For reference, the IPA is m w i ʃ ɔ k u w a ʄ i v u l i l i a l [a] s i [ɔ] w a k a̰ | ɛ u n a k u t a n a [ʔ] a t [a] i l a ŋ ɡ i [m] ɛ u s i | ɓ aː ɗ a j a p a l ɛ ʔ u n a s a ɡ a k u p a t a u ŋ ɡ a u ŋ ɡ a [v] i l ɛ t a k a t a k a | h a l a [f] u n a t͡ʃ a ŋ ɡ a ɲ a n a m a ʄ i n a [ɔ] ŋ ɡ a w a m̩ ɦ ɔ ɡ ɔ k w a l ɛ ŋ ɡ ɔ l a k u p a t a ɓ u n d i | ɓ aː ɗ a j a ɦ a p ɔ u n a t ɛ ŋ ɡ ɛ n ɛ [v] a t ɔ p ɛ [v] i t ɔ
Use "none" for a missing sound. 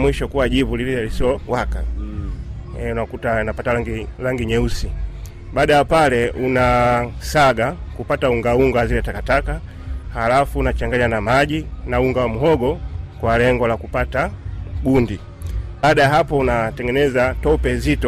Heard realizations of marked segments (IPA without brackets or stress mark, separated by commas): i, ɔ, p, a, ɲ, z, f, u, z, z